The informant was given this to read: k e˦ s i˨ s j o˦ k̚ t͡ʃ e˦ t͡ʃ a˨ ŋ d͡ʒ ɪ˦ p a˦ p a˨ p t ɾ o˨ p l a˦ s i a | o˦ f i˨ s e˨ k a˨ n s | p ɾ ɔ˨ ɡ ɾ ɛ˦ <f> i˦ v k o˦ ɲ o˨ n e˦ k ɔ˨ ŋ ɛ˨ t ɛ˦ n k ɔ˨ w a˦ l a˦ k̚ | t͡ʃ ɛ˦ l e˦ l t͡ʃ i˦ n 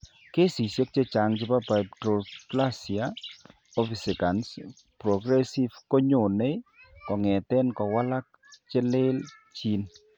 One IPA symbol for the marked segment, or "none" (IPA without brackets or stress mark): s